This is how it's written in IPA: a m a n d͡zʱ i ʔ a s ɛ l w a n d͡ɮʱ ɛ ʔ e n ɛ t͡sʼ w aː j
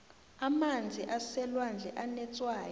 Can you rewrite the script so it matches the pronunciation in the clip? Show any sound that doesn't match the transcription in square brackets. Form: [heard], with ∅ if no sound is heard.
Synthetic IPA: a m a n d͡zʱ i ʔ a s ɛ l w a n d͡ɮʱ ɛ ʔ [a] n ɛ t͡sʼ w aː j